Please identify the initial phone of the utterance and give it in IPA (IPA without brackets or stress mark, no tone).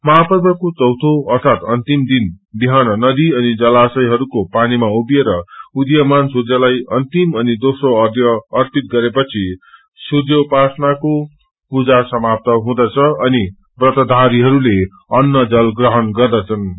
m